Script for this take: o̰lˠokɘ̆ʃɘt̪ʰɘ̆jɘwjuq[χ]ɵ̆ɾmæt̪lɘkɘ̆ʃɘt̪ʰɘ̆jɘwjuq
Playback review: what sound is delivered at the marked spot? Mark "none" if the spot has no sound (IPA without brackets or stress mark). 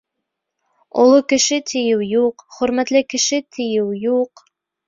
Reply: χ